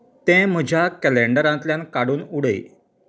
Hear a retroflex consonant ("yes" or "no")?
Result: yes